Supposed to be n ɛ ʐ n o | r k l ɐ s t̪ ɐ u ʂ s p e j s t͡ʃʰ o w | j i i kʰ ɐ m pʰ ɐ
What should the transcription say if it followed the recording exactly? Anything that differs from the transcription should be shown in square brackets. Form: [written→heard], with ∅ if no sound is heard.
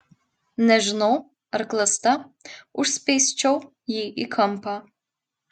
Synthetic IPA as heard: n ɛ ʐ n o | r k l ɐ s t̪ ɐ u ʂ s p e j s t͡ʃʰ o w | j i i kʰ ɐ m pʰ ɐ